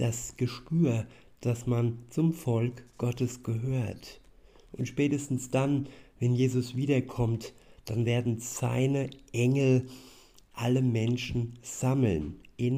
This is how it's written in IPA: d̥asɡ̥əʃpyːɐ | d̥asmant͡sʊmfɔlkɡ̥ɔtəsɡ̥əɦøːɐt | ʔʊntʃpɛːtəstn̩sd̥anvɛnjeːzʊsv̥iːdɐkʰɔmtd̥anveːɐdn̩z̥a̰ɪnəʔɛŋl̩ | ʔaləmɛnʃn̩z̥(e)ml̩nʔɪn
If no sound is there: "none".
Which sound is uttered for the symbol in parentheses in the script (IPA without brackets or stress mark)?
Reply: a